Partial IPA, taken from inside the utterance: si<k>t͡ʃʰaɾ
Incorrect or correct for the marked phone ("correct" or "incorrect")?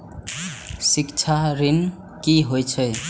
correct